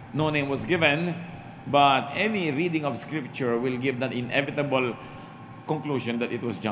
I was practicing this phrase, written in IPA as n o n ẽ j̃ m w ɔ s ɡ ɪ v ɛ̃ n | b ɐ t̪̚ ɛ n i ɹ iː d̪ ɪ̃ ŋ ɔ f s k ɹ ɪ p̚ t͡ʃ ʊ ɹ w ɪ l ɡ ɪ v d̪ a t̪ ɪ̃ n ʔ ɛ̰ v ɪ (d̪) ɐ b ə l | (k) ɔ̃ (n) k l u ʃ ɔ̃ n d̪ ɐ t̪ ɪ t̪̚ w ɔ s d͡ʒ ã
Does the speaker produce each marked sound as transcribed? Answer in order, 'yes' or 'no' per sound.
no, yes, no

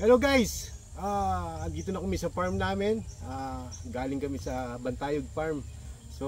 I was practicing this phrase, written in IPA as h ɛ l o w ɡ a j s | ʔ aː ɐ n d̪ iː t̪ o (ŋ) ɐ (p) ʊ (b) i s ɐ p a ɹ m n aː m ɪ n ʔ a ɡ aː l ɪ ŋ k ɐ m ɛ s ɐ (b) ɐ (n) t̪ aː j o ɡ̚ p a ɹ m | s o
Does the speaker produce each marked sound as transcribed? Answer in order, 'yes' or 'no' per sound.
no, no, no, yes, yes

